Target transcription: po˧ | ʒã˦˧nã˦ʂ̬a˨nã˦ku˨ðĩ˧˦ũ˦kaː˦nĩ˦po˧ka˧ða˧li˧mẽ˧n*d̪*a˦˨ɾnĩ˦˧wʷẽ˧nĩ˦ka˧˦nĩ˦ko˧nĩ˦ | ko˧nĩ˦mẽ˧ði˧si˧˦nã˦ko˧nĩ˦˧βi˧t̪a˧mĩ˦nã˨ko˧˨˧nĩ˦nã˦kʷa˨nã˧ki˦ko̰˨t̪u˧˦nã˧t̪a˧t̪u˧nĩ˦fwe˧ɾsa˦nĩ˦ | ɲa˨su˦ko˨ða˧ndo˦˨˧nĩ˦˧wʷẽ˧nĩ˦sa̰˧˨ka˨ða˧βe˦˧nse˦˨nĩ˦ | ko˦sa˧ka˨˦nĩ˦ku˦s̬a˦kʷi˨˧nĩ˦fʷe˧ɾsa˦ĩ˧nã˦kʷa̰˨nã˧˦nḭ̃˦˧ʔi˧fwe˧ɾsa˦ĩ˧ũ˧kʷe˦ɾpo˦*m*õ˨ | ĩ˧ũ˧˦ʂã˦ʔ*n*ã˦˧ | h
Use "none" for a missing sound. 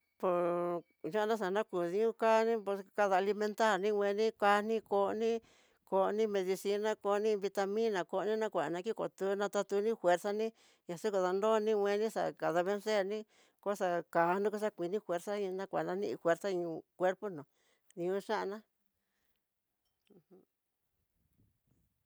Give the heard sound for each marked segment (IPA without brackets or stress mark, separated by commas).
t̪, n, n